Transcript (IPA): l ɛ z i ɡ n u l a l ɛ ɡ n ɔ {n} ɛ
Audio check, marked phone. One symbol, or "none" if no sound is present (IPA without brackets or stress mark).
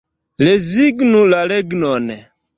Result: n